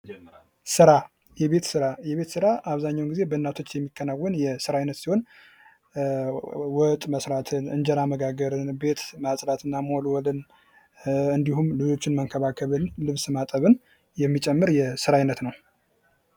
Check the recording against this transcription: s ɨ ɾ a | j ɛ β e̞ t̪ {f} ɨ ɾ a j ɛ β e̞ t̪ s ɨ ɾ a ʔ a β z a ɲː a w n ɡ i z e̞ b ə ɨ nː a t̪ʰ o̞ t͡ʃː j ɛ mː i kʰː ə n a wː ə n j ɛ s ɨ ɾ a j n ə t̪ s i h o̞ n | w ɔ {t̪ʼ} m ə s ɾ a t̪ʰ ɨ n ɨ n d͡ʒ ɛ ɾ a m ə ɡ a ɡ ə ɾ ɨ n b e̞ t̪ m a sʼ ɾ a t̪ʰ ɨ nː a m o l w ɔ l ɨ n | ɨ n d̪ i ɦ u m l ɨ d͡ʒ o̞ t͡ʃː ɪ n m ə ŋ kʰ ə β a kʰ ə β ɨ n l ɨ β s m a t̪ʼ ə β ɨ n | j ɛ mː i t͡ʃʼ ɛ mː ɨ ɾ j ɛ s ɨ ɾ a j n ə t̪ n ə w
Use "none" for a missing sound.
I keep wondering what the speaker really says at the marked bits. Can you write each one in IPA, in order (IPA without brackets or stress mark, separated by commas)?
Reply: s, t̪ʼ